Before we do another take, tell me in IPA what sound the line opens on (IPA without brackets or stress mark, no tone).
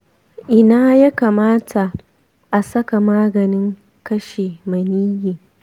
ʔ